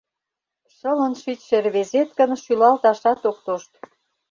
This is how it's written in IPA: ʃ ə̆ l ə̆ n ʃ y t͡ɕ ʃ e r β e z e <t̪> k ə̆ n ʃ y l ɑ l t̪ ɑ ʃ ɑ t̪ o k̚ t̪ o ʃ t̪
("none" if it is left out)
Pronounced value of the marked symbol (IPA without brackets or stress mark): t̪